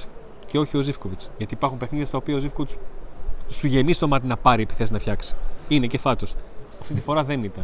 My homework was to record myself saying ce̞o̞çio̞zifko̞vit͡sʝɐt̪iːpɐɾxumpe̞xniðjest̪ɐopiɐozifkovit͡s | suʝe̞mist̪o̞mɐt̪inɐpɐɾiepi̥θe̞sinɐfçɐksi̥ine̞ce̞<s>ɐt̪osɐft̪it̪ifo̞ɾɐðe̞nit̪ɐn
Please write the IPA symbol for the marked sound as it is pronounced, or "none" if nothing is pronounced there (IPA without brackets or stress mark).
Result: f